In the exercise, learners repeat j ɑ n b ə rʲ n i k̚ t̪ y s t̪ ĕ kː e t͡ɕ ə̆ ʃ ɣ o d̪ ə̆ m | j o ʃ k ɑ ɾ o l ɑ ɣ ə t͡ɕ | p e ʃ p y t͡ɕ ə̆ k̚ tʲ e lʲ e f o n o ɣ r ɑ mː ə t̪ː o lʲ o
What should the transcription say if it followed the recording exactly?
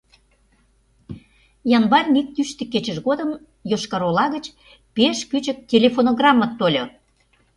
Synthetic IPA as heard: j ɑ n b ɑ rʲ n i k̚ t̪ y ʃ t̪ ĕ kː e t͡ɕ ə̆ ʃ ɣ o d̪ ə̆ m | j o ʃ k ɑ ɾ o l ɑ ɣ ə t͡ɕ | p e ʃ k y t͡ɕ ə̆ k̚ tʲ e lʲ e f o n o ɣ r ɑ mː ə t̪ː o lʲ o